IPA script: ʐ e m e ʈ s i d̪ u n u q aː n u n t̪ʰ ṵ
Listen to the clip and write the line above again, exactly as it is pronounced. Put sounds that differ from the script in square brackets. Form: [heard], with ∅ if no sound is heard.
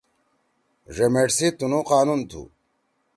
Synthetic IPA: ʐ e m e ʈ s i [t̪] u n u q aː n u n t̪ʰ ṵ